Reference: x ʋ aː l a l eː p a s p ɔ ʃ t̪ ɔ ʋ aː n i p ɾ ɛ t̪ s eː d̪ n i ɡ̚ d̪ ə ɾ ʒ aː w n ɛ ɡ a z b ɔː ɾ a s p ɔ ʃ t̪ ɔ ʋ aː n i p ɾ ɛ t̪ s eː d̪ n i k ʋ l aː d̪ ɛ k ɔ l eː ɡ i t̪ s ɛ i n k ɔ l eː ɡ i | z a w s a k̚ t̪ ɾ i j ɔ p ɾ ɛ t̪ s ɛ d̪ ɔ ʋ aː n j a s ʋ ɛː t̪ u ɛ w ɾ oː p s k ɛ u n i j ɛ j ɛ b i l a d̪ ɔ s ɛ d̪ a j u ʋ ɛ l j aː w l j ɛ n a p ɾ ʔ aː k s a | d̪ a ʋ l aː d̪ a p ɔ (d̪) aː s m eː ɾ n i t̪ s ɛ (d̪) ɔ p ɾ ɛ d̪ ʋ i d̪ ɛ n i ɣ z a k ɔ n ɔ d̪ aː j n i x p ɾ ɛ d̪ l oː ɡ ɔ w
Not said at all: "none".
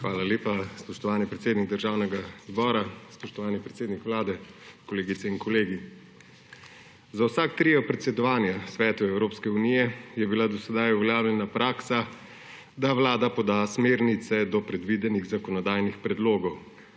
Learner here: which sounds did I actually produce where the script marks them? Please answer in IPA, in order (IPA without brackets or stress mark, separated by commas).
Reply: d̪, d̪